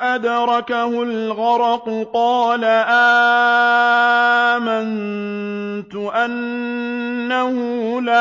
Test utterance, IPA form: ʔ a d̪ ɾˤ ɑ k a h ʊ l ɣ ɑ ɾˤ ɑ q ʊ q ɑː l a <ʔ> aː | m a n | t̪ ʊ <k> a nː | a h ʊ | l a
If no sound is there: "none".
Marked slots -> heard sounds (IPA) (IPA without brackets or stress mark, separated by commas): ʔ, ʔ